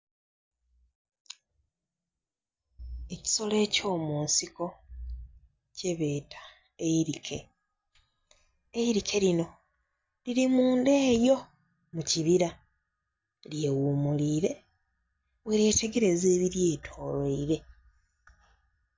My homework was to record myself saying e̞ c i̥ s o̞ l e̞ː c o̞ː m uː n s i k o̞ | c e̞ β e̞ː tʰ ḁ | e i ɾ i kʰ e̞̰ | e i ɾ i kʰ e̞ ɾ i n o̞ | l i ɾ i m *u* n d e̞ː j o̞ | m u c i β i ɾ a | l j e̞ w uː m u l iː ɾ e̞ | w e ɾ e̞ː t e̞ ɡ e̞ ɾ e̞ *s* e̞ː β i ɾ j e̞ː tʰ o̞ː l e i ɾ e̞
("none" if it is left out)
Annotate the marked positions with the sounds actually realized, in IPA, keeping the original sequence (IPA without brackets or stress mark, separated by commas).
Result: uː, z